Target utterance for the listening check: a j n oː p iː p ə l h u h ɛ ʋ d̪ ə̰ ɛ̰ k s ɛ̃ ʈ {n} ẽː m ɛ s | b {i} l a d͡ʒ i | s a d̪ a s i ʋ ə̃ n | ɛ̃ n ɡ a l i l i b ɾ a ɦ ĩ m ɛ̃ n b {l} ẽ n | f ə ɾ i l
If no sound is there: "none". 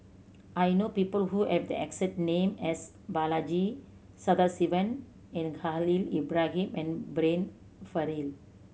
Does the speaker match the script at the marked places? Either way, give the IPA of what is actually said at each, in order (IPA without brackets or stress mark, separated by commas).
n, a, ɾ